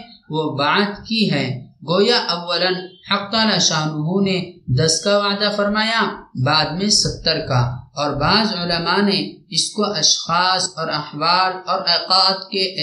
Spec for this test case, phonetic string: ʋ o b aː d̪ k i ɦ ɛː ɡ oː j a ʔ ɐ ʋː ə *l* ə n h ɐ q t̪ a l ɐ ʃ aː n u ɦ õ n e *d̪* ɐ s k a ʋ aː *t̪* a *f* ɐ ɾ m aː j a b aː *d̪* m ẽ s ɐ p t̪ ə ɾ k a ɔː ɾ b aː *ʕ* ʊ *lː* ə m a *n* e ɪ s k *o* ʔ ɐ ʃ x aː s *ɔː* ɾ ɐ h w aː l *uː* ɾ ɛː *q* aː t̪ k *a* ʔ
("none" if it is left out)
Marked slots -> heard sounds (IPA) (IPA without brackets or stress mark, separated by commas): l, d̪, d̪, f, d̪, z, l, n, o, ɔː, ɔː, q, e